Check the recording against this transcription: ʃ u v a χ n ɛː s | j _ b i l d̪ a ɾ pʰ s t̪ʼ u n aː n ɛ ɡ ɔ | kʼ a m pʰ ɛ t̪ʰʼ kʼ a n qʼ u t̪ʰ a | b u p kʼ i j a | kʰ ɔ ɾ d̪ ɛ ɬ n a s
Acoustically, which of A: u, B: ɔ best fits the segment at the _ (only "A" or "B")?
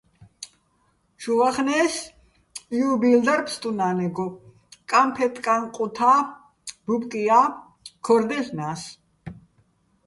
A